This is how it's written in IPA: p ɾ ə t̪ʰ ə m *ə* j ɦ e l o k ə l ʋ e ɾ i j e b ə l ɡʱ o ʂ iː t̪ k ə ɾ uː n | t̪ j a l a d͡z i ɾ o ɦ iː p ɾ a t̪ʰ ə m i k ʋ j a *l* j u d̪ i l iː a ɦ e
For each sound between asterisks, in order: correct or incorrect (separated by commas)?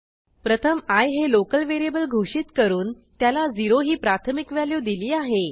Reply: incorrect, correct